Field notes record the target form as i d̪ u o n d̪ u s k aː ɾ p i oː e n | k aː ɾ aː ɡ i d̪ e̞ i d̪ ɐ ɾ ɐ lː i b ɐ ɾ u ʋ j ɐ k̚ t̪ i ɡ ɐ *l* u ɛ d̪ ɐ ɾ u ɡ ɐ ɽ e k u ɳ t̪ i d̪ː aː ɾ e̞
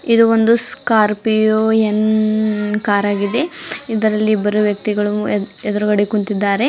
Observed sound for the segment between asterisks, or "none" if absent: ɭ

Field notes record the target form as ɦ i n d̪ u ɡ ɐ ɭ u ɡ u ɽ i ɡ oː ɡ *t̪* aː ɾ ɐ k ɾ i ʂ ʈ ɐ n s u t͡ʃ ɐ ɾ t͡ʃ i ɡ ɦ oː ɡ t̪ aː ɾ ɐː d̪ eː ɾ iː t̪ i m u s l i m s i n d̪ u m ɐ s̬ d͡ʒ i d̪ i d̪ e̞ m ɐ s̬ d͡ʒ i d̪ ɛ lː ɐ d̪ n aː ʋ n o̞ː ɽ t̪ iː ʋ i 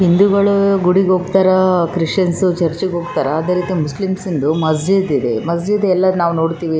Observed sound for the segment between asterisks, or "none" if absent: t̪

